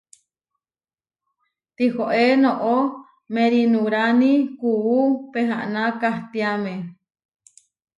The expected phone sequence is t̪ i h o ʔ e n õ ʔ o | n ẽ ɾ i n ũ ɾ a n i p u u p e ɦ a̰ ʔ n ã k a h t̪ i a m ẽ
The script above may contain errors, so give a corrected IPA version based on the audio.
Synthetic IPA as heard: t̪ i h o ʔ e n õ ʔ o | m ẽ ɾ i n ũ ɾ a n i k u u p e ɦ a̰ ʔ n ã k a h t̪ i a m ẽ

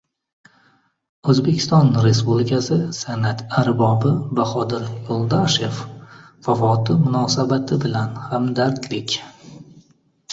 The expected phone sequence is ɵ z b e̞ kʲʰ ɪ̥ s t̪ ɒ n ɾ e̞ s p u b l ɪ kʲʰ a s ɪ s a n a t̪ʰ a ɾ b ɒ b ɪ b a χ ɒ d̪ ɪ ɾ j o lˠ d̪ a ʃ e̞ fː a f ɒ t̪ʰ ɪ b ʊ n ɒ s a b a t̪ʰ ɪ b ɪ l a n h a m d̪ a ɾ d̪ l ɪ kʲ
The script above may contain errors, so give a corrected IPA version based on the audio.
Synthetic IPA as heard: ɵ z b e̞ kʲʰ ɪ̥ s t̪ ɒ n ɾ e̞ s p u b l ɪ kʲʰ a s ɪ s a n a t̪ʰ a ɾ b ɒ b ɪ b a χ ɒ d̪ ɪ ɾ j o lˠ d̪ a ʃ e̞ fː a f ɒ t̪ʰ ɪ m ʊ n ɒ s a b a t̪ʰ ɪ b ɪ l a n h a m d̪ a ɾ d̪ l ɪ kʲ

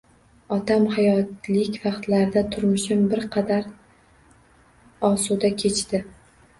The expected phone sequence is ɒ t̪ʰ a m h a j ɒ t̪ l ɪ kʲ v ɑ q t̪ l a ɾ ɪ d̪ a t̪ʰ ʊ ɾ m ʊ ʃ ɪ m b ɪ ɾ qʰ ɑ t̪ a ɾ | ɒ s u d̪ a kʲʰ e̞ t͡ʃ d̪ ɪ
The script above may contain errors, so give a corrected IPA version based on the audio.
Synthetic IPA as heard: ɒ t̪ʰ a m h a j ɒ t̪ l ɪ kʲ v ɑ q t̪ l a ɾ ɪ d̪ a t̪ʰ ʊ ɾ m ʊ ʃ ɪ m b ɪ ɾ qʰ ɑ d̪ a ɾ | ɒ s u d̪ a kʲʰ e̞ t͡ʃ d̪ ɪ

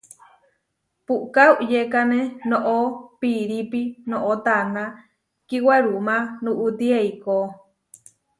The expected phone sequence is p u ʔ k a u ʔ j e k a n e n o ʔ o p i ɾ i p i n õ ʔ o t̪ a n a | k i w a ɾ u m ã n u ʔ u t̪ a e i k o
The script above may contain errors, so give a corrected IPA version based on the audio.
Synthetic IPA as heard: p u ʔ k a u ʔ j e k a n e n o ʔ o p i ɾ i p i n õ ʔ o t̪ a n a | k i w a ɾ u m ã n u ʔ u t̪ i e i k o

